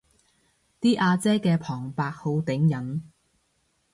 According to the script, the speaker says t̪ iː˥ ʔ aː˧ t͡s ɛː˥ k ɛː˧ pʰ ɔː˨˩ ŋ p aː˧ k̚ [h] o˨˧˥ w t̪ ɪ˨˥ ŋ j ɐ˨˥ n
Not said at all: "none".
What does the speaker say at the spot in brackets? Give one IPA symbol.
h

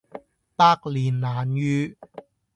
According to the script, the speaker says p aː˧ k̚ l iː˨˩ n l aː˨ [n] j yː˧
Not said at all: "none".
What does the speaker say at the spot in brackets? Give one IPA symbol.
n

